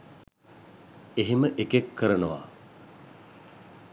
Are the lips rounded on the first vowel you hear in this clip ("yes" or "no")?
no